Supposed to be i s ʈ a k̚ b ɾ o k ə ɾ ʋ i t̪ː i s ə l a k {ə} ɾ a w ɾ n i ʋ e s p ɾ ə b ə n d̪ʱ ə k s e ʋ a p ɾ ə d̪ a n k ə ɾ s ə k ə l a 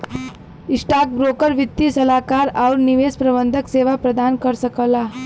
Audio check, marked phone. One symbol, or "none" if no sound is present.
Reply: a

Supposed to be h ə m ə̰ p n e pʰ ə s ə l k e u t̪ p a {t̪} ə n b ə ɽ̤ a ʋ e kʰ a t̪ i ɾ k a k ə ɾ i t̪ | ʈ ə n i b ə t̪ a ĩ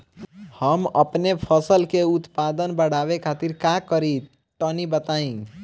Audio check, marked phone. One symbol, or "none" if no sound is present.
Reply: d̪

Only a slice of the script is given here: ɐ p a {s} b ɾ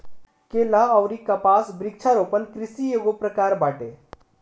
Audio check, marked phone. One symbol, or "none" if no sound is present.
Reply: s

